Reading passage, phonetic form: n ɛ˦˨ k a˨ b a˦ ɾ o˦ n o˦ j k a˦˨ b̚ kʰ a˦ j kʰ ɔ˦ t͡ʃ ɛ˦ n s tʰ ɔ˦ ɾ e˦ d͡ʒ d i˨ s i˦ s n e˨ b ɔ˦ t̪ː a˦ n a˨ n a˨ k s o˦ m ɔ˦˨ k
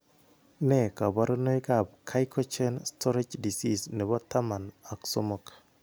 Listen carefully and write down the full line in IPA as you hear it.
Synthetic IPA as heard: n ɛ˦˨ k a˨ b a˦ ɾ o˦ n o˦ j k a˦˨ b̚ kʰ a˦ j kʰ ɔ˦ t͡ʃ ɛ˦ n s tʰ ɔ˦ ɾ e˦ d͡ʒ d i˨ s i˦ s n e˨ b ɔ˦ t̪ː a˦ m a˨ n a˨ k s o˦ m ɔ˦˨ k

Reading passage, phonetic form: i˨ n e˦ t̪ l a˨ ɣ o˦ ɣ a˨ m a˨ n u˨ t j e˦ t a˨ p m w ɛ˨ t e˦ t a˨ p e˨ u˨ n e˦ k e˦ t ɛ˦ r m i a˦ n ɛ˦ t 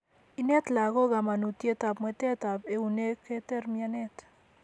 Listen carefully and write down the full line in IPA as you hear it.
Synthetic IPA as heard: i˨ n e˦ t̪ l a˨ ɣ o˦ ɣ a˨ m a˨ n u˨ t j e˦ t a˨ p m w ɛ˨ t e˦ t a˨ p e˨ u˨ n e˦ k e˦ t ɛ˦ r m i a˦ n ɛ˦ t

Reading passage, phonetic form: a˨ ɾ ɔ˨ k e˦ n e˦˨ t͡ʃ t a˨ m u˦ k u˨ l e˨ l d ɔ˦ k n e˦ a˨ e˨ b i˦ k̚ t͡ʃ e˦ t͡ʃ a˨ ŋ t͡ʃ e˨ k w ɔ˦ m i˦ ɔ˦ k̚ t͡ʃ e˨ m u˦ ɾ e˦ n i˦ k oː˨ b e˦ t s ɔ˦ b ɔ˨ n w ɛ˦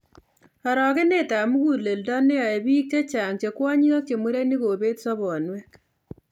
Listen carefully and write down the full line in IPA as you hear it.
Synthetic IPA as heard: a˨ ɾ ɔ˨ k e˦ n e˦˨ t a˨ m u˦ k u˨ l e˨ l d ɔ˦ n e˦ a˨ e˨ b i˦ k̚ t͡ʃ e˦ t͡ʃ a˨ ŋ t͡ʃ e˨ k w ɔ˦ ɲ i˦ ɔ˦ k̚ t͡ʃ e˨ m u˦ ɾ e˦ n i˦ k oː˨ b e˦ t s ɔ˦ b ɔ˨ n w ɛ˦

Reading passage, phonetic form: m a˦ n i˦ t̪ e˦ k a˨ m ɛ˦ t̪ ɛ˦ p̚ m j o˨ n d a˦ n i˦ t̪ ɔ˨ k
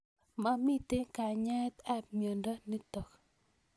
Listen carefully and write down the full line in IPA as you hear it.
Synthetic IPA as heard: m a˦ m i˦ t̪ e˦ k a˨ ɲ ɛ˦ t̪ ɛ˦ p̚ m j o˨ n d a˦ n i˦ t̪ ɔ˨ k

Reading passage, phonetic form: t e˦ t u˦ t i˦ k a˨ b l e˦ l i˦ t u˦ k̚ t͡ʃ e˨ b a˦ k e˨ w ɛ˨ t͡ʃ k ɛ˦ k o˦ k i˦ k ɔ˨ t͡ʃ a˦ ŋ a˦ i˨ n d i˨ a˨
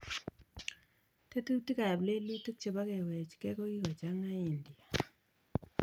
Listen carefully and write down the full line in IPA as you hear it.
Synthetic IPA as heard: t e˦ t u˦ t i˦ k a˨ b l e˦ l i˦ t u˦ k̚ t͡ʃ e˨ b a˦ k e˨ w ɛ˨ t͡ʃ k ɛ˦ k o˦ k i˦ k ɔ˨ t͡ʃ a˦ ŋ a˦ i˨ n d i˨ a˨

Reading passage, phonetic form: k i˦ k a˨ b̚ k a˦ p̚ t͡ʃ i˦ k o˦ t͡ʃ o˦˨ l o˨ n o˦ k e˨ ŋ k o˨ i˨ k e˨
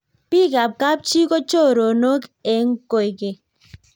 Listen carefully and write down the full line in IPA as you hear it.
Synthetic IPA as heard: p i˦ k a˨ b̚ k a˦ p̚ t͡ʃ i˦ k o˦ t͡ʃ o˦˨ ɾ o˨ n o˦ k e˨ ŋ k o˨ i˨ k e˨

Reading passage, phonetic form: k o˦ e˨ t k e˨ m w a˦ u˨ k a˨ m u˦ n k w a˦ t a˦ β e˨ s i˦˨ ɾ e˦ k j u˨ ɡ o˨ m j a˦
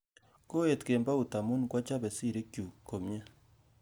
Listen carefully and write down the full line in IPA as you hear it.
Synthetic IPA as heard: k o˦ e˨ t k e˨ m b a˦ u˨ t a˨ m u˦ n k w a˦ t͡ʃ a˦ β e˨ s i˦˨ ɾ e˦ k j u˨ k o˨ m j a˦

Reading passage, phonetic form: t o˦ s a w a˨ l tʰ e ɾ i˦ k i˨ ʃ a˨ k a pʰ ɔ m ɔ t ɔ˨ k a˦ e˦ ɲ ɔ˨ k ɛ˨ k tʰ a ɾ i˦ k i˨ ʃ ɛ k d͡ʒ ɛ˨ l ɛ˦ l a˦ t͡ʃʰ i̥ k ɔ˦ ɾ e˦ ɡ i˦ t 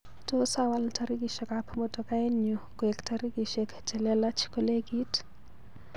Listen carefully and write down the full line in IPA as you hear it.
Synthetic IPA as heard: t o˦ s a w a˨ l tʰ a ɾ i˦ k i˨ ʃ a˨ k a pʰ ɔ m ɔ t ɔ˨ k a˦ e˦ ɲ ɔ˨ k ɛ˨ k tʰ a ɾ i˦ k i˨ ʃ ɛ k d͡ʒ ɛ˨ l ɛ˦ l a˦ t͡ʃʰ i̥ k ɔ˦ l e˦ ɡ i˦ t

